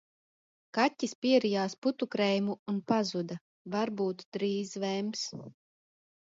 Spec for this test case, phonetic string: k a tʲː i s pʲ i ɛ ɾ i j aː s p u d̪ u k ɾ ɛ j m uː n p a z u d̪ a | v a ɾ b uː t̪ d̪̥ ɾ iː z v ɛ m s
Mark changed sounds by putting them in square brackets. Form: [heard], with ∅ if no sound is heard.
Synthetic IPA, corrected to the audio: k a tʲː i s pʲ i ɛ ɾ i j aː s p u [t̪] u k ɾ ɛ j m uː n p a z u d̪ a | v a ɾ b uː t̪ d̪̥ ɾ iː z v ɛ m s